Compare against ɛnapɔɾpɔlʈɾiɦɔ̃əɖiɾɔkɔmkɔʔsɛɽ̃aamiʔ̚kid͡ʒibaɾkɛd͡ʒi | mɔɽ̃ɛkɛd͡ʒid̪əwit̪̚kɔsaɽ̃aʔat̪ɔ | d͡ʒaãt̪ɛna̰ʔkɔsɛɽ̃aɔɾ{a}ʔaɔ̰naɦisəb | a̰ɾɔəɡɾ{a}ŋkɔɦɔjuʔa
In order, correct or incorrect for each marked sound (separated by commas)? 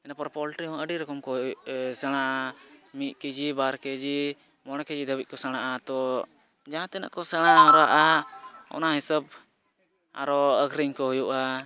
correct, incorrect